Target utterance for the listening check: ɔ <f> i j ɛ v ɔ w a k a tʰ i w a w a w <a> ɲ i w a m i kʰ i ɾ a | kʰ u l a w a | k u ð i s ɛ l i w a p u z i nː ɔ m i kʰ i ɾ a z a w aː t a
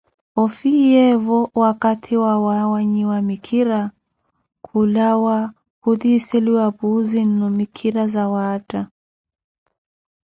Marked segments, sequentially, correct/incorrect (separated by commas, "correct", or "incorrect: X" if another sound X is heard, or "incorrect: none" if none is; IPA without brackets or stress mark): correct, correct